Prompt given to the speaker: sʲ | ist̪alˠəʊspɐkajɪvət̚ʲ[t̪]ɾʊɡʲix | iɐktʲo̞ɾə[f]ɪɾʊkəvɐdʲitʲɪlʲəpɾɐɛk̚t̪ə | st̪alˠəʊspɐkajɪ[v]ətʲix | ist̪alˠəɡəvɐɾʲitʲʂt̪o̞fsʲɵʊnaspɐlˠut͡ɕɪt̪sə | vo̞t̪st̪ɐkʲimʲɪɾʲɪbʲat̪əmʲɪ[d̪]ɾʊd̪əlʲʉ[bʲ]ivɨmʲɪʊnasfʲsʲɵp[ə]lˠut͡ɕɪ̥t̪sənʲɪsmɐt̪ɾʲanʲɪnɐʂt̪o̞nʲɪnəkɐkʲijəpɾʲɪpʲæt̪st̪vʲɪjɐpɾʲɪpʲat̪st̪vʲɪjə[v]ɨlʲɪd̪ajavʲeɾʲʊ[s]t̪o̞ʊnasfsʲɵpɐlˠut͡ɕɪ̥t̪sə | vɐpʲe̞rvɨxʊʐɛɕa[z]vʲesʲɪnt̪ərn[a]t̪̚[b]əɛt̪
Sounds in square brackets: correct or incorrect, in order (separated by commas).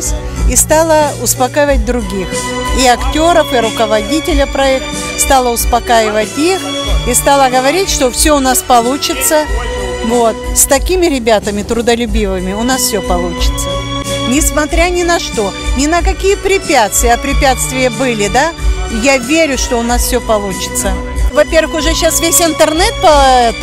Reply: incorrect, correct, correct, incorrect, correct, incorrect, incorrect, incorrect, incorrect, incorrect, incorrect